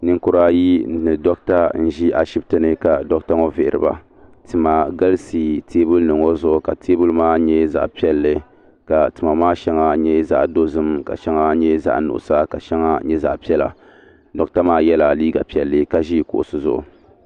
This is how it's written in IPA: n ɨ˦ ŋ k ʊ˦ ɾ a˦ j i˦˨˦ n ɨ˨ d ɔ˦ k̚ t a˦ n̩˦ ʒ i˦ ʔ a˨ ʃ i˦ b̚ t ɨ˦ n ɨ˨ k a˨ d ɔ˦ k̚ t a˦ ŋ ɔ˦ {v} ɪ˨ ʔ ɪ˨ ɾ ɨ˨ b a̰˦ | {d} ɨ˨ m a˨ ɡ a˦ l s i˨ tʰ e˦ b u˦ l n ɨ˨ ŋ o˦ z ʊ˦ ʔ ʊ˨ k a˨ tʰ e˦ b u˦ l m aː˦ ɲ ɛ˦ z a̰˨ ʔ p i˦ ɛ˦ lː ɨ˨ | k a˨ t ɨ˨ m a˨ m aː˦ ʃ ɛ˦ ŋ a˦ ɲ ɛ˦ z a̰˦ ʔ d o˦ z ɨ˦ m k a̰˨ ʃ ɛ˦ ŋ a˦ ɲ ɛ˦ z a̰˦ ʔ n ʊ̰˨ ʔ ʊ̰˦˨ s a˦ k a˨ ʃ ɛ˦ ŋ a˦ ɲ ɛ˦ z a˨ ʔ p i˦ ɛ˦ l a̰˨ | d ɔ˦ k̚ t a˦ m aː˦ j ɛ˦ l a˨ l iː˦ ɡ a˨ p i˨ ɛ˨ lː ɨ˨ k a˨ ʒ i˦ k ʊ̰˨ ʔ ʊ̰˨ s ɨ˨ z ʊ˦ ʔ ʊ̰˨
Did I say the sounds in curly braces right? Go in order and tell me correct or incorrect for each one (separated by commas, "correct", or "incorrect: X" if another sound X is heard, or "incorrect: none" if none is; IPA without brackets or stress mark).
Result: correct, incorrect: t